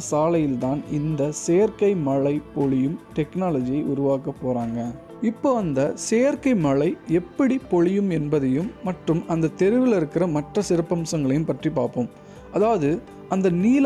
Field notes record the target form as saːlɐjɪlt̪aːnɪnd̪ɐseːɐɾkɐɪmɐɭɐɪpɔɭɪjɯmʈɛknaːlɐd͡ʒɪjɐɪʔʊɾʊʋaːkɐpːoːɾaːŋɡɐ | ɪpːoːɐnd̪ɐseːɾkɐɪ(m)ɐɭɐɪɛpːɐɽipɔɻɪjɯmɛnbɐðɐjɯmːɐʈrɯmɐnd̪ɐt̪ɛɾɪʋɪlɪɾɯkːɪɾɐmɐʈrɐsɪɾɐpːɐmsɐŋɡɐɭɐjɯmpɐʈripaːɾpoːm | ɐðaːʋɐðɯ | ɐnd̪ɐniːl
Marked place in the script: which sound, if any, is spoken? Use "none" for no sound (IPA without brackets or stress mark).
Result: m